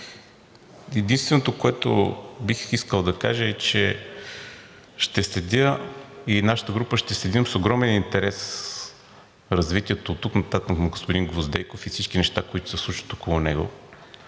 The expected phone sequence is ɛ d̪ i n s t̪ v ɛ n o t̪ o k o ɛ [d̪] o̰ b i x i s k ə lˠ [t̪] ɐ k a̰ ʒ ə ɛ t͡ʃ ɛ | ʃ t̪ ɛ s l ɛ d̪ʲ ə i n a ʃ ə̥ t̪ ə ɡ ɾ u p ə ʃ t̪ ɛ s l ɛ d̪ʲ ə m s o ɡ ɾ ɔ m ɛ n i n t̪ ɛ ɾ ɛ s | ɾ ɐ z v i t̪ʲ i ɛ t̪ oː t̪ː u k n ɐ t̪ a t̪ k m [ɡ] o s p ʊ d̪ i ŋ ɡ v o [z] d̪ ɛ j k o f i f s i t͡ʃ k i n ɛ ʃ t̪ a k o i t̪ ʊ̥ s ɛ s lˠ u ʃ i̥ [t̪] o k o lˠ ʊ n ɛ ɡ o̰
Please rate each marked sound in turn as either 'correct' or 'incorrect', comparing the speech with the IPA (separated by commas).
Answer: incorrect, incorrect, correct, correct, correct